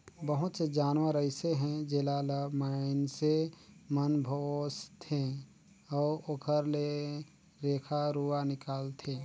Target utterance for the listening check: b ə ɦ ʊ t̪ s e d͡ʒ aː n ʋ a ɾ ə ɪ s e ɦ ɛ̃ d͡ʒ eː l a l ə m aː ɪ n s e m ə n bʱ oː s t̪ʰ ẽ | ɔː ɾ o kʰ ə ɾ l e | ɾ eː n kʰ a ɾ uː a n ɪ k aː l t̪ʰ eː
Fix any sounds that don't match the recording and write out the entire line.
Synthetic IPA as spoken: b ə ɦ ʊ t̪ s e d͡ʒ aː n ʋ a ɾ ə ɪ s e ɦ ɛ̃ d͡ʒ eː l a l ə m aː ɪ n s e m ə n bʱ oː s t̪ʰ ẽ | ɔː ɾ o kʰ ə ɾ l e | ɾ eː kʰ a ɾ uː a n ɪ k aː l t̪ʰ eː